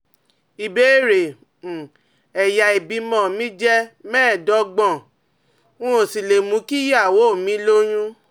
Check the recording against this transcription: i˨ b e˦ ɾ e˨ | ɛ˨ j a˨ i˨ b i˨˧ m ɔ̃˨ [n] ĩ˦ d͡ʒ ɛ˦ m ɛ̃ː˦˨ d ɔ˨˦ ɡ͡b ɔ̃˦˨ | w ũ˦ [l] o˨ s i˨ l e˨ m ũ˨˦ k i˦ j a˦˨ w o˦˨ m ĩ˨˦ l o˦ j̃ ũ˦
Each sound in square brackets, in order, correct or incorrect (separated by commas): incorrect, incorrect